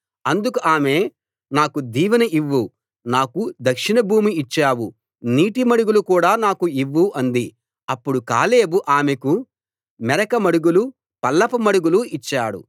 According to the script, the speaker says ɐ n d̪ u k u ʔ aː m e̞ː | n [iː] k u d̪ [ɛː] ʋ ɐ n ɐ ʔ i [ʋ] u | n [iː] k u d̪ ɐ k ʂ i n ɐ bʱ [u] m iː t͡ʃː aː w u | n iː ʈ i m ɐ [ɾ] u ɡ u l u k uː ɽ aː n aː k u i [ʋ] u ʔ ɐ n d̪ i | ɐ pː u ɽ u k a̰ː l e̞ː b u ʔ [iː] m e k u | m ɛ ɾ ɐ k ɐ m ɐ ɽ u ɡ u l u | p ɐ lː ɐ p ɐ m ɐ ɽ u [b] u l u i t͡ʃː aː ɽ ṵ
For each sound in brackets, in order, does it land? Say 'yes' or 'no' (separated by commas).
no, no, no, no, no, no, no, no, no